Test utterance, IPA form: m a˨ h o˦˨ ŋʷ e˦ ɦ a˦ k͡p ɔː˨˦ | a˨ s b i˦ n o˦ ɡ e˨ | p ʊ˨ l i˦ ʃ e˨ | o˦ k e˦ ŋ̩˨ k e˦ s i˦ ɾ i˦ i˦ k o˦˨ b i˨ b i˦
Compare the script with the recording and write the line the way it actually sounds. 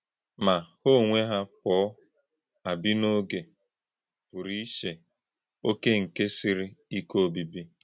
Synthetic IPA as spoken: m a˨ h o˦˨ ŋʷ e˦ ɦ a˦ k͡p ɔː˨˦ | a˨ b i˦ n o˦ ɡ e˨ | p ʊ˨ ɾ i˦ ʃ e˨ | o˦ k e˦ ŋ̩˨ k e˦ s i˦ ɾ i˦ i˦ k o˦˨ b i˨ b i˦

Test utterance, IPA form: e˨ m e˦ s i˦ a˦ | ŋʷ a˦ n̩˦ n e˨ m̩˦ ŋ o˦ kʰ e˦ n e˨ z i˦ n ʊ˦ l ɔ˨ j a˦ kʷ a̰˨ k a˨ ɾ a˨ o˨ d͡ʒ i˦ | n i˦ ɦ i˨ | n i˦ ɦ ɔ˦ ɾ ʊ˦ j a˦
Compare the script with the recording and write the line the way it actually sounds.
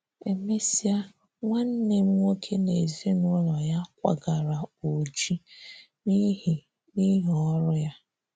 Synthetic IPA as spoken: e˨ m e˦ s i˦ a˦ | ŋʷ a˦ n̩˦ n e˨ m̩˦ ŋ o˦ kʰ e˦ n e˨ z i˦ n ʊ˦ l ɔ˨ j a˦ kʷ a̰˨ ɡ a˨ ɾ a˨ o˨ d͡ʒ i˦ | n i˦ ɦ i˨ | n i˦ ɦ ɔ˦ ɾ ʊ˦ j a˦

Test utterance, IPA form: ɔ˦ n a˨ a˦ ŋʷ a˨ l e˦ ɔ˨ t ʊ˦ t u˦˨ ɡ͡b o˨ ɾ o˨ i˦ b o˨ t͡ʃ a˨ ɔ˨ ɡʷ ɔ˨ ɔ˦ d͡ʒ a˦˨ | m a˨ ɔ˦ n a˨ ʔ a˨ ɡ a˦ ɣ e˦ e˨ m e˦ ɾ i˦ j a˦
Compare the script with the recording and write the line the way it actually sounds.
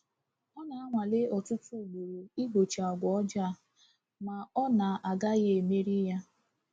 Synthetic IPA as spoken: ɔ˦ n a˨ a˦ ŋʷ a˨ l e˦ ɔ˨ t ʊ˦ t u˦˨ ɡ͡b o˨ ɾ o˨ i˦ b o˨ t͡ʃ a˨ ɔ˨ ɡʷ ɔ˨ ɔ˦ d͡ʒ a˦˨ | m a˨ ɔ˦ n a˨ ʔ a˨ ɡ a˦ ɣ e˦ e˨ m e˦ ɾ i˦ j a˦

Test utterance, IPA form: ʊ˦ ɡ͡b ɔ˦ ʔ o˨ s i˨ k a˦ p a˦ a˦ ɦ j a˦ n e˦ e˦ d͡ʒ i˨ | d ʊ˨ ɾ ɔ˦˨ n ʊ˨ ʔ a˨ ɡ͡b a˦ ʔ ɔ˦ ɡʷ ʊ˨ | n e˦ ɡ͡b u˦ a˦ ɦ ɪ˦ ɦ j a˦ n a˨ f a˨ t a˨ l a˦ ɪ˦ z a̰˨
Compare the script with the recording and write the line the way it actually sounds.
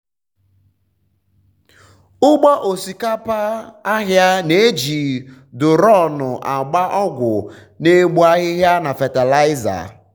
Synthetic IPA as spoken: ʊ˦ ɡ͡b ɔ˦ ʔ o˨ s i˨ k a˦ p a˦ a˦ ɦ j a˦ n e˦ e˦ d͡ʒ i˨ | d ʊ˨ ɾ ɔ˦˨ n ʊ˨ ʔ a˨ ɡ͡b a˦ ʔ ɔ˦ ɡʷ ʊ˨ | n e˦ ɡ͡b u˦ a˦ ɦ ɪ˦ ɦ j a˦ n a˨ f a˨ t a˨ l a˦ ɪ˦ z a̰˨

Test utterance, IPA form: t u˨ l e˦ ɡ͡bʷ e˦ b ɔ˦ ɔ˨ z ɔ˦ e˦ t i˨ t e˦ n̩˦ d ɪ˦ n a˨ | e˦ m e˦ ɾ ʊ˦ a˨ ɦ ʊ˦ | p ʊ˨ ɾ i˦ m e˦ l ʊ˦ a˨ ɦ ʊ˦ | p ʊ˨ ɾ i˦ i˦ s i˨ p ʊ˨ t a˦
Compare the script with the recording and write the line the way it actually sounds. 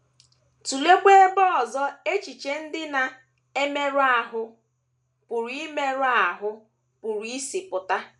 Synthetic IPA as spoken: t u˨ l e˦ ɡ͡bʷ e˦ b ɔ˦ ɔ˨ z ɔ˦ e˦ t͡ʃ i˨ t͡ʃ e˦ n̩˦ d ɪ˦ n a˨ | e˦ m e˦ ɾ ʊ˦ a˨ ɦ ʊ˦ | p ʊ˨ ɾ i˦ m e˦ ɾ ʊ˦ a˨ ɦ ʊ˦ | p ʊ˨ ɾ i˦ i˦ s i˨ p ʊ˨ t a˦

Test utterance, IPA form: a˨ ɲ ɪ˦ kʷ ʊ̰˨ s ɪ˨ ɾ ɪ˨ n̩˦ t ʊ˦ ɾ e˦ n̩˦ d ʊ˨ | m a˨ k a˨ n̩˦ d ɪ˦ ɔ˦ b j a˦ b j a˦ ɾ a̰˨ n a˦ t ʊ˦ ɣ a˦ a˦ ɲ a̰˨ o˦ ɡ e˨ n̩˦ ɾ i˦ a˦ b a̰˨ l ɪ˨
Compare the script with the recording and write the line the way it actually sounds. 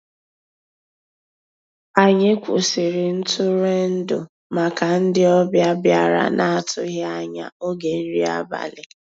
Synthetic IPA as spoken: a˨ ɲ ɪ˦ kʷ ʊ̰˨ s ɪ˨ ɾ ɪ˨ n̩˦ t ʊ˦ ɾ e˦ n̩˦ d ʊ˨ | m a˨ k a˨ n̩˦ d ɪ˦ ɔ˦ b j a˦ b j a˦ ɾ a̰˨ n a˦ t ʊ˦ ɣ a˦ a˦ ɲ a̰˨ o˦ ɡ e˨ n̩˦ ɾ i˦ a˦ b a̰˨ l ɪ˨

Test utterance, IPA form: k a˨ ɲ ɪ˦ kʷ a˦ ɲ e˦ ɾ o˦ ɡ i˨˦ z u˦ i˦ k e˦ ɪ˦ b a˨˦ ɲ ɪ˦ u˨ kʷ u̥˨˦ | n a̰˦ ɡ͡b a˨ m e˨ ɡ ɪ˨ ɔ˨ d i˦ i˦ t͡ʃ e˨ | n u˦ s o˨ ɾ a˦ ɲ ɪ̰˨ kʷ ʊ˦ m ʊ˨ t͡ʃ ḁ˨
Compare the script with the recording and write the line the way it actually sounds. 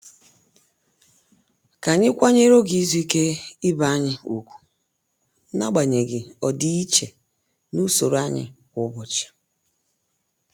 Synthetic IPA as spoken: k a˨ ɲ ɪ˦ kʷ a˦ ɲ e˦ ɾ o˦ ɡ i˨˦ z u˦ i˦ k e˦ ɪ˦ b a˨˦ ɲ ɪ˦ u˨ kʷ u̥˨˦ | n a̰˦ ɡ͡b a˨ ɲ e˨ ɡ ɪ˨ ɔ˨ d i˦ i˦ t͡ʃ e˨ | n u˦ s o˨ ɾ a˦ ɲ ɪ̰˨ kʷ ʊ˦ b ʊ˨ t͡ʃ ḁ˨

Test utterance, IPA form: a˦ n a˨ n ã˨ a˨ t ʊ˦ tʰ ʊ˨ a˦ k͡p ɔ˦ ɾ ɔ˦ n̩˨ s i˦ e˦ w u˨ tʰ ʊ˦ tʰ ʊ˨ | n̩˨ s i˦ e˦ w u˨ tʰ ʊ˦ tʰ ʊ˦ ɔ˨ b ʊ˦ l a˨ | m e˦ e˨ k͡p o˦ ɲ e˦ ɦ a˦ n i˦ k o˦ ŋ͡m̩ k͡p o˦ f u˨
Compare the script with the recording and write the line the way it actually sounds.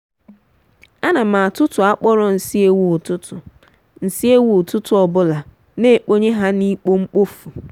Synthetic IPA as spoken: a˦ n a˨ m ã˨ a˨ t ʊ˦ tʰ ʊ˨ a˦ k͡p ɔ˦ ɾ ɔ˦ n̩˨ s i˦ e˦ w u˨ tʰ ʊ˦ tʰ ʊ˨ | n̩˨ s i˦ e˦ w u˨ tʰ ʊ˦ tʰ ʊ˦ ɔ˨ b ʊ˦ l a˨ | n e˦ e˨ k͡p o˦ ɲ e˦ ɦ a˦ n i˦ k͡p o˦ ŋ͡m̩ k͡p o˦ f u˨

